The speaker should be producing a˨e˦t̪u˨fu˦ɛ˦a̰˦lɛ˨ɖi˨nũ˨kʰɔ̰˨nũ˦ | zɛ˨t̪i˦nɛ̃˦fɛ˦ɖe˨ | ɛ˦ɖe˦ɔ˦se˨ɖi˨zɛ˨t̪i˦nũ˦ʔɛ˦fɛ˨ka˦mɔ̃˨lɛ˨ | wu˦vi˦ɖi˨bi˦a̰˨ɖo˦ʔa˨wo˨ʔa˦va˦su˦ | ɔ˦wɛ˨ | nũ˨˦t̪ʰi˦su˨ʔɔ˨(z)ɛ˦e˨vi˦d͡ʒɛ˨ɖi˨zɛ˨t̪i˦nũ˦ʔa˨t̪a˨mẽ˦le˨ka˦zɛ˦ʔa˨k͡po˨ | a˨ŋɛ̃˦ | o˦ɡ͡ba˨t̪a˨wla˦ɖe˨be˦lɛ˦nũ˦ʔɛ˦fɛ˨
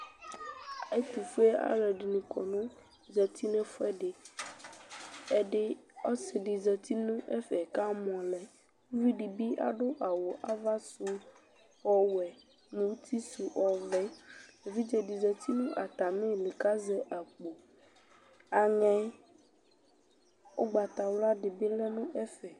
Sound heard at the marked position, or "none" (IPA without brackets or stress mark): v